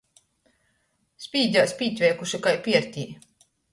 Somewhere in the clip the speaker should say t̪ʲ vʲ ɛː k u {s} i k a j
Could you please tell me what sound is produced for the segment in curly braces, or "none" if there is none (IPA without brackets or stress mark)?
ʃ